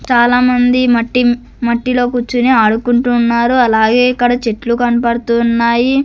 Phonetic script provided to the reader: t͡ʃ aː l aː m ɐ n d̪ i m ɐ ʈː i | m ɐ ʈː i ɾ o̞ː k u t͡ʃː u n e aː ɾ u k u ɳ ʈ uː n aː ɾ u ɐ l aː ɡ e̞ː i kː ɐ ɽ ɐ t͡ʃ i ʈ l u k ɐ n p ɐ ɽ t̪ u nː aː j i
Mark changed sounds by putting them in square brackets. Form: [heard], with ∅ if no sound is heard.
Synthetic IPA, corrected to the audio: t͡ʃ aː l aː m ɐ n d̪ i m ɐ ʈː i | m ɐ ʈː i [l] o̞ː k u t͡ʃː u n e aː [ɽ] u k u ɳ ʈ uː [nː] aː ɾ u ɐ l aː ɡ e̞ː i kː ɐ ɽ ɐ t͡ʃ [e] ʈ l u k ɐ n p ɐ ɽ t̪ u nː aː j i